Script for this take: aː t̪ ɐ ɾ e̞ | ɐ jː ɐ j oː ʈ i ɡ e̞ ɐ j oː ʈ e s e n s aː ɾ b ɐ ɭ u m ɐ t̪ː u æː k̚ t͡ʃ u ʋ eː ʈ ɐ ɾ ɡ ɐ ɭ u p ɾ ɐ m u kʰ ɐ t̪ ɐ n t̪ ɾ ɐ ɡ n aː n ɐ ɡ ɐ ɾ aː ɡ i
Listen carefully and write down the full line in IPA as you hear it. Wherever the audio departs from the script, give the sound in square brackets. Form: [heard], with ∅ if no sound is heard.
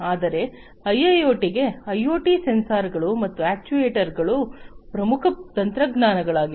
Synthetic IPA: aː [d̪] ɐ ɾ e̞ | ɐ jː ɐ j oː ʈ i ɡ e̞ ɐ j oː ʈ [i] s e n s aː ɾ [ɡ] ɐ ɭ u m ɐ t̪ː u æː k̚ t͡ʃ u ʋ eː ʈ ɐ ɾ ɡ ɐ ɭ u p ɾ ɐ m u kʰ ɐ t̪ ɐ n t̪ ɾ ɐ ɡ n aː n ɐ ɡ ɐ [ɭ] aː ɡ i